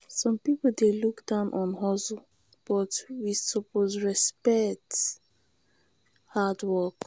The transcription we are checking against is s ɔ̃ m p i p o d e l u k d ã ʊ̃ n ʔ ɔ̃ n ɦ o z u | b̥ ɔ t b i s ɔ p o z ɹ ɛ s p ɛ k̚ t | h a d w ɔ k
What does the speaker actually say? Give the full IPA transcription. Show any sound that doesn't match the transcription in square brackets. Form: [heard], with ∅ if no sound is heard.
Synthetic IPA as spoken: s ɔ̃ m p i p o d e l u k d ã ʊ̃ n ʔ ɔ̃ n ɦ [ɔ] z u | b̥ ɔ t [w] i s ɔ p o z ɹ ɛ s p ɛ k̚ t | h a d w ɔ k